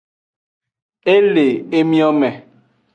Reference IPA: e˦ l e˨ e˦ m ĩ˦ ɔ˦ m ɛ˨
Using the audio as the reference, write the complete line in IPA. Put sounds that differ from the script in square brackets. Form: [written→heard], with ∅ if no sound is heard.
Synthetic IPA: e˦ l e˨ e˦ m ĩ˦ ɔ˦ m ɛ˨